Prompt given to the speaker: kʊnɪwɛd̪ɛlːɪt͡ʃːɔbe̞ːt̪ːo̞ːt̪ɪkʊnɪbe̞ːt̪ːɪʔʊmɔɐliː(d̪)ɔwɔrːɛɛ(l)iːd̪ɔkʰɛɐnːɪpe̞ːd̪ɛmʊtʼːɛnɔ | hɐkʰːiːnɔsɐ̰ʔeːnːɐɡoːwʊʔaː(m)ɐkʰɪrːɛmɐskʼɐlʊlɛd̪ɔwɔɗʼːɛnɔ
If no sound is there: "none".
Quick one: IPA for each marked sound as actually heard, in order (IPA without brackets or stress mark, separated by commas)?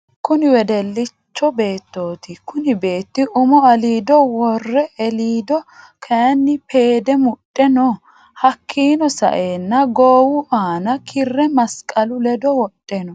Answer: d̪, l, n